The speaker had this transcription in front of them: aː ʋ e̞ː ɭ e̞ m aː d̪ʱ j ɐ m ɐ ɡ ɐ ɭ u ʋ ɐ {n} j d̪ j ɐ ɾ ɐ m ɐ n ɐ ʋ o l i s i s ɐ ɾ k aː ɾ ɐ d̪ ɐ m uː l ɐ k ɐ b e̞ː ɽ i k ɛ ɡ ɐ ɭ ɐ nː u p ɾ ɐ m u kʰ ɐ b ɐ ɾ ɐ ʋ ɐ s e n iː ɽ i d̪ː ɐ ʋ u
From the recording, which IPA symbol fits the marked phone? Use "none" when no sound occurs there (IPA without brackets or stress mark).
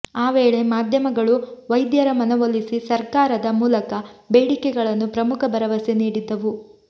none